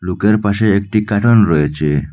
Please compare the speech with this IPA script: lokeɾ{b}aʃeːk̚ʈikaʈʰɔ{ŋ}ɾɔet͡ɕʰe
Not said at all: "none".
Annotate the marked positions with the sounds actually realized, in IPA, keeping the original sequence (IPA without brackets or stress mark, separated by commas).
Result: p, n